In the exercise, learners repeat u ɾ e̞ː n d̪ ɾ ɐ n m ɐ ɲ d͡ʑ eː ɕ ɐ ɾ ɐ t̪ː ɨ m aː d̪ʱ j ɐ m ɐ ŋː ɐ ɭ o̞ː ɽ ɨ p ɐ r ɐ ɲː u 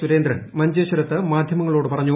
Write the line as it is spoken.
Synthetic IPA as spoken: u ɾ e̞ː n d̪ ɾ ɐ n m ɐ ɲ d͡ʑ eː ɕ ɐ ɾ ɐ t̪ː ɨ m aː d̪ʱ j ɐ m ɐ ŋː ɐ ɭ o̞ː ɽ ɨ p ɐ r ɐ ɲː u